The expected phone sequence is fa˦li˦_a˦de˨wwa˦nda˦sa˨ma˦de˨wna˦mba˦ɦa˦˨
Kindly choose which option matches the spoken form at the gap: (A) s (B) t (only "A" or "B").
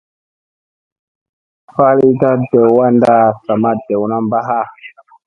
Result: B